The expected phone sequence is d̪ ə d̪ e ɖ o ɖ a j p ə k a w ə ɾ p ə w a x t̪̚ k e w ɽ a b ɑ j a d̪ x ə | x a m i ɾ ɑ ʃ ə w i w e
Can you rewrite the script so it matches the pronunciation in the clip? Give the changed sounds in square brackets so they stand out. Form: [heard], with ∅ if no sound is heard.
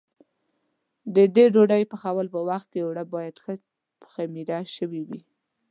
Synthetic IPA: d̪ ə d̪ e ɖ o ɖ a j p ə [x] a w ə [l] p ə w a x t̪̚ k e w ɽ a b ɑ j a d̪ x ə | x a m i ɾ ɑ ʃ ə w i w [i]

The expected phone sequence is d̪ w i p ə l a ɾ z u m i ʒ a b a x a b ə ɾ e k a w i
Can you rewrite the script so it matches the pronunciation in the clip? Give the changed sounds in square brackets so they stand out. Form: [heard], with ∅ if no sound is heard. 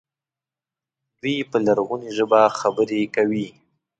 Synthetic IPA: d̪ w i p ə l a ɾ [ɣ] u [n] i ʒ [ə] b a x a b ə ɾ e k a w i

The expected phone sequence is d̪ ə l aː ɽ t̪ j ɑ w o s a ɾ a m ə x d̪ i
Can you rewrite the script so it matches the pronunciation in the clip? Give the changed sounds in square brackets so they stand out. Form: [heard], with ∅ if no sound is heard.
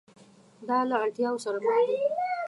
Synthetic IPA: d̪ [ɑ] l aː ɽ t̪ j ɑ w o s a ɾ a m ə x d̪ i

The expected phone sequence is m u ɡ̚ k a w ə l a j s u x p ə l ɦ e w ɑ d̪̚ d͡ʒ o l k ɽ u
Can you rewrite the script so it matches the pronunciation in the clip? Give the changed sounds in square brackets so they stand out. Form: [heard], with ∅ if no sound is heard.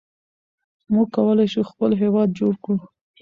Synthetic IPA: m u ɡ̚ k a w ə l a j [ʃ] u x p ə l ɦ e w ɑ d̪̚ d͡ʒ o [ɽ] k ɽ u

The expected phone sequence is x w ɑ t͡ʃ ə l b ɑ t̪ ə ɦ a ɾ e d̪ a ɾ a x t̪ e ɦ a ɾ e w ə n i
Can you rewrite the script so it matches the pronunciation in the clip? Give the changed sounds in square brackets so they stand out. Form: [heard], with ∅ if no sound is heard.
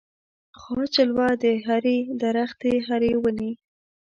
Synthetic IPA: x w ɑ t͡ʃ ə l [w] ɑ [d̪] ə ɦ a ɾ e d̪ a ɾ a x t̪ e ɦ a ɾ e w ə n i

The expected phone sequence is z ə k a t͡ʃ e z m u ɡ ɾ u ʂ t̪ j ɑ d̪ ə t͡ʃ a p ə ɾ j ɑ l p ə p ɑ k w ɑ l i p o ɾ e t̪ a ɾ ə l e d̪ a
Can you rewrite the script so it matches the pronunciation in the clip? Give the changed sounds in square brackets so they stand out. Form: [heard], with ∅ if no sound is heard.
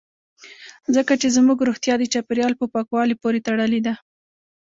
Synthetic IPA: z ə k a t͡ʃ e z m u ɡ ɾ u [x] t̪ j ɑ d̪ ə t͡ʃ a p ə ɾ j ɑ l p ə p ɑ k w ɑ l i p o ɾ e t̪ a [ɽ] ə l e d̪ a

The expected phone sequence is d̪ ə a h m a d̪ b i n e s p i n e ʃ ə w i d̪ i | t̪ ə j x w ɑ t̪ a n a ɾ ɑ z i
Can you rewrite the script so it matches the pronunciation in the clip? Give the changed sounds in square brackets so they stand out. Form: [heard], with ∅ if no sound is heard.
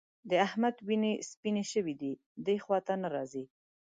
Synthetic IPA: d̪ ə a h m a d̪ [w] i n e s p i n e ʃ ə w i d̪ i | [d̪] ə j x w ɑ t̪ a n a ɾ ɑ z i

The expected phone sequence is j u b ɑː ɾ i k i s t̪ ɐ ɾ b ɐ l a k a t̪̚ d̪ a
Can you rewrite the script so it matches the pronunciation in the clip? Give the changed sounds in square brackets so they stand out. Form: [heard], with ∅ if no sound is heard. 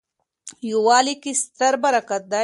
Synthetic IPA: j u [w] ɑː [l] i k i s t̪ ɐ ɾ b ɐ [ɾ] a k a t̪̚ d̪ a

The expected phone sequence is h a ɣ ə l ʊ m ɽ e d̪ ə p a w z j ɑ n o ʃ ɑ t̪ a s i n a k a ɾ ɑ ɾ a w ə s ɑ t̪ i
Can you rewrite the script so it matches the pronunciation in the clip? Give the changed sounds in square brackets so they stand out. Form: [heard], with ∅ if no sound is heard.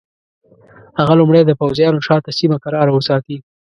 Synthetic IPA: h a ɣ [a] l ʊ m ɽ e d̪ ə p a w z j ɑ n o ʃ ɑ t̪ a s i [m] a k a ɾ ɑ ɾ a w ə s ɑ t̪ i

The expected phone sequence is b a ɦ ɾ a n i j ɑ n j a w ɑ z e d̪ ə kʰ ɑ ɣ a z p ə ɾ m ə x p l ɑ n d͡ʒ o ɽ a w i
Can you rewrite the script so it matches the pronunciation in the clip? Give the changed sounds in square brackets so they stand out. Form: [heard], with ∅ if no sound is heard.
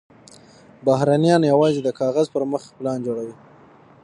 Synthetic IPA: b a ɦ ɾ a n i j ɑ n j a w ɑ z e d̪ ə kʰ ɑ ɣ a z p ə ɾ m ə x p l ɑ n d͡ʒ o ɽ a w i

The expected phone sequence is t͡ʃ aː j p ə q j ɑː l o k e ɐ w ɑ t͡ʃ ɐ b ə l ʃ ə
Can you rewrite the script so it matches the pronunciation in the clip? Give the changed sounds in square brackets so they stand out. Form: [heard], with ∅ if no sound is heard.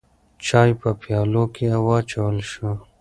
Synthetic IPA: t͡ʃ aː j p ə [p] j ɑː l o k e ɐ w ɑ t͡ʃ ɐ [w] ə l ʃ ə

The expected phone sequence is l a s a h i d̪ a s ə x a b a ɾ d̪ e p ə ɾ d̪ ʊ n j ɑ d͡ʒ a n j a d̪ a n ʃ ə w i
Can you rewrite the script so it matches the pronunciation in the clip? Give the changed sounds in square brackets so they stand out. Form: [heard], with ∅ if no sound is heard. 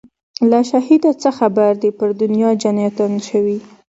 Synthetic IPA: l a [ʃ] a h i d̪ a [t͡s] ə x a b a ɾ d̪ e p ə ɾ d̪ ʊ n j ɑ d͡ʒ a n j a [t̪] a n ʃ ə w i

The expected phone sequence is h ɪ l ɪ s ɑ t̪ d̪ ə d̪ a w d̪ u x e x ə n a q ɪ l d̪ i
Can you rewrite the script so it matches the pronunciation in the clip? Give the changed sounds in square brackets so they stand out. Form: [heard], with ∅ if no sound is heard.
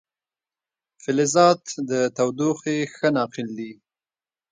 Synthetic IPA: [f] ɪ l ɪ [z] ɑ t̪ d̪ ə [t̪] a w d̪ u x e x ə n [ɑ] q ɪ l d̪ i

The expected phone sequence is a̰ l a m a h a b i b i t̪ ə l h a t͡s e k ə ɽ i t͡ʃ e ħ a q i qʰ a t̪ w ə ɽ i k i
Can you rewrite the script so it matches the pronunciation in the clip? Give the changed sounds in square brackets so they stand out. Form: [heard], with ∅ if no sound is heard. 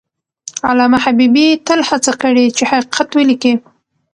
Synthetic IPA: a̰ l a m a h a b i b i t̪ ə l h a t͡s [a] k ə ɽ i t͡ʃ e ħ a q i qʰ a t̪ w ə [l] i k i

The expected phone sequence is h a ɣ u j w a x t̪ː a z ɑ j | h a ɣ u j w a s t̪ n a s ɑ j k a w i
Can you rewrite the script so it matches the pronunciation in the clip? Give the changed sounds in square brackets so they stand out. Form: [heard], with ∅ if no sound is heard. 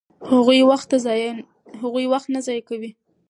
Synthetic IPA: h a ɣ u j w a x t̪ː a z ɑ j | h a ɣ u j w a [x] t̪ n a [z] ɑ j k a w i

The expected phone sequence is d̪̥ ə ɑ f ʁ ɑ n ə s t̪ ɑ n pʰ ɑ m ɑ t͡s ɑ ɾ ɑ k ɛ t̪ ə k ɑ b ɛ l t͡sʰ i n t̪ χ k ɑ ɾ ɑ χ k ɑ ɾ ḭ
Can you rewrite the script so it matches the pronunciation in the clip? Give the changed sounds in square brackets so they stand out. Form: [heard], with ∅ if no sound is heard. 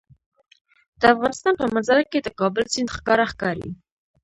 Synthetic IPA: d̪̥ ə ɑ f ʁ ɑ n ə s t̪ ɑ n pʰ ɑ m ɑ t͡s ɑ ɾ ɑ k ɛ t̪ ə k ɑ b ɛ l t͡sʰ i n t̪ χ k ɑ ɾ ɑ χ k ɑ ɾ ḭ

